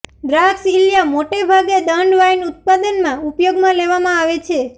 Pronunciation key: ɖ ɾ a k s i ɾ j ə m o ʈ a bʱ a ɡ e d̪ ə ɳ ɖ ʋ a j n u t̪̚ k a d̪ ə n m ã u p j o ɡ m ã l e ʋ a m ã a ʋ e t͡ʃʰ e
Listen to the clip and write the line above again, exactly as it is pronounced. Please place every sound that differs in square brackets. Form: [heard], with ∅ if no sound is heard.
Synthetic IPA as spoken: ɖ ɾ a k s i [l] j [a] m o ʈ [e] bʱ a ɡ e d̪ ə ɳ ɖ ʋ a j n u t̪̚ [p] a d̪ ə n m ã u p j o ɡ m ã l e ʋ a m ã a ʋ e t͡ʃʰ e